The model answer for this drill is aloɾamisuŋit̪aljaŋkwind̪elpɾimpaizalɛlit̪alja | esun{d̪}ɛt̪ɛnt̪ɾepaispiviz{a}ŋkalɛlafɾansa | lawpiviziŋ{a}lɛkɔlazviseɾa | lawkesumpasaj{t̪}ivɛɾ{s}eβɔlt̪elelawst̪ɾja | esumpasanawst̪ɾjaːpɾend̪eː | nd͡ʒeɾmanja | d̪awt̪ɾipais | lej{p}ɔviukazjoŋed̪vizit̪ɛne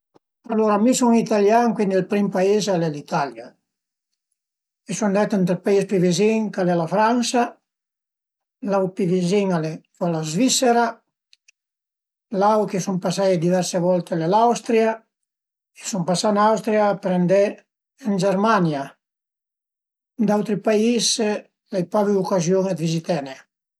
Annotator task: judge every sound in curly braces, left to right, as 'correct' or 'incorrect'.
correct, incorrect: i, correct, incorrect: d̪, correct, correct

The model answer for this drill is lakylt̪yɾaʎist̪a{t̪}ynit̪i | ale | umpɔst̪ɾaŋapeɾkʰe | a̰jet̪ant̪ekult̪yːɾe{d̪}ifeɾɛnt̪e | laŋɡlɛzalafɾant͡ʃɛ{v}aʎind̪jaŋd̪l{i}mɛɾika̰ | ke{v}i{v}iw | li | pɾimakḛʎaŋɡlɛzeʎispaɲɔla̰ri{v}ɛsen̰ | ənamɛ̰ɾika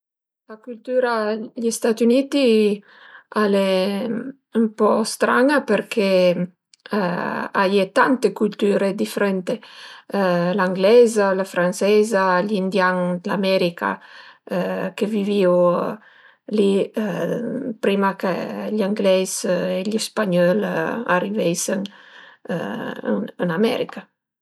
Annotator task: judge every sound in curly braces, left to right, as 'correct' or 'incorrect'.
correct, correct, incorrect: z, incorrect: a, correct, correct, correct

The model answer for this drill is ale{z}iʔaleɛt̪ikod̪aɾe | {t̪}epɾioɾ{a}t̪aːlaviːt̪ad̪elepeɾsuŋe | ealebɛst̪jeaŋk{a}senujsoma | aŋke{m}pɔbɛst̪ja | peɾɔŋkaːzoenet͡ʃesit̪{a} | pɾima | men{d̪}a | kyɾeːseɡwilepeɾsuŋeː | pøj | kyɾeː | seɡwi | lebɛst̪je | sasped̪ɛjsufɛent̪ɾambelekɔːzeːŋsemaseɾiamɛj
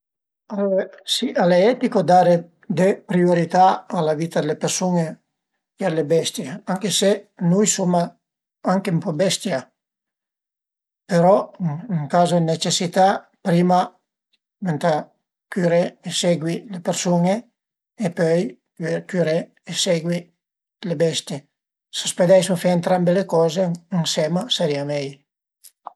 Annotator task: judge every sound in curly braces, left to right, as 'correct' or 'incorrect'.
incorrect: s, incorrect: d̪, incorrect: i, incorrect: e, correct, correct, incorrect: t̪

